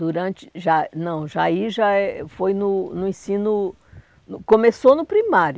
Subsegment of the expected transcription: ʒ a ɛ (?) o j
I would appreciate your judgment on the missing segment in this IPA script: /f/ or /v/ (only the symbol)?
f